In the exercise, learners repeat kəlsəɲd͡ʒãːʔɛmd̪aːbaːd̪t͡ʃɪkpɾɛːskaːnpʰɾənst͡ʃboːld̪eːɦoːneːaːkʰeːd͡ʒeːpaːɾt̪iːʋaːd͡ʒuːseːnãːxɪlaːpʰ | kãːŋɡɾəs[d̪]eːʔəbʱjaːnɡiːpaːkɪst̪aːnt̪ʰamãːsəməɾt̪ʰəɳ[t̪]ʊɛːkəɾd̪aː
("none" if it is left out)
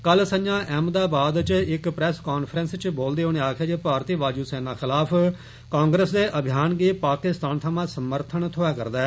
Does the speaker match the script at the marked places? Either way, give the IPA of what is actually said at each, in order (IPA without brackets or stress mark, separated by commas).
d̪, t̪ʰ